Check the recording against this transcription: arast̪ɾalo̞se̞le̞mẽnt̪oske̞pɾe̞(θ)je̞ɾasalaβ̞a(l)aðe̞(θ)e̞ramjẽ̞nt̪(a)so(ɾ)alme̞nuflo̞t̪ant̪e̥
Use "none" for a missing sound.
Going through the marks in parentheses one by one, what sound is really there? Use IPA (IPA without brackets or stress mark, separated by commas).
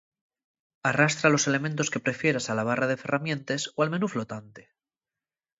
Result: f, r, f, e, none